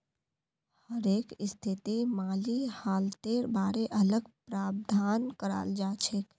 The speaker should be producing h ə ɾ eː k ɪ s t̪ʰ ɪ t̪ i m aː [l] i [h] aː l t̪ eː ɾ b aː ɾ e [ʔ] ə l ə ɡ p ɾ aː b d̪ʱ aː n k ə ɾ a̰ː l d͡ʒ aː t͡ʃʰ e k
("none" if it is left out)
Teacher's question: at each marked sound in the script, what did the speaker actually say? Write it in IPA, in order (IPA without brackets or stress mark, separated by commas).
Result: l, h, ʔ